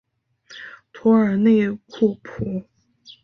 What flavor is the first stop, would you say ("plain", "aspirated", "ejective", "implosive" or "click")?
aspirated